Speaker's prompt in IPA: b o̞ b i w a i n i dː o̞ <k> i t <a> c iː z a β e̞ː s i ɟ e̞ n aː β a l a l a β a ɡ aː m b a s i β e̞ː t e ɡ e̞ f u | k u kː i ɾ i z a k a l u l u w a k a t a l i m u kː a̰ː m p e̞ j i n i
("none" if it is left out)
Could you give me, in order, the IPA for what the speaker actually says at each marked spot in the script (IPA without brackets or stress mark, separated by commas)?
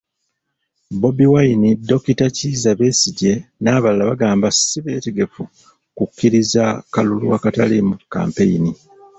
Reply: k, a